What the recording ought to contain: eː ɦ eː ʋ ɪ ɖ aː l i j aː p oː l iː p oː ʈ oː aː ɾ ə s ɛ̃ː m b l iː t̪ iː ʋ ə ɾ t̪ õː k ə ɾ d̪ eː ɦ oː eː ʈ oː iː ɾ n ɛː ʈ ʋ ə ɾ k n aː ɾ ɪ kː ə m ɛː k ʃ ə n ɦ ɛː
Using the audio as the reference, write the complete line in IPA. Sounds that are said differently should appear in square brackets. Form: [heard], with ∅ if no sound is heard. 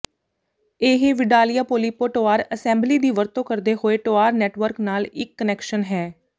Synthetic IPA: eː ɦ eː ʋ ɪ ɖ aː l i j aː p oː l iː p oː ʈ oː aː ɾ ə s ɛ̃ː m b l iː [d̪] iː ʋ ə ɾ t̪ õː k ə ɾ d̪ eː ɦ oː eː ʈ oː [aː] ɾ n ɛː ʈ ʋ ə ɾ k n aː [l] ɪ kː ə [n] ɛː k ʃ ə n ɦ ɛː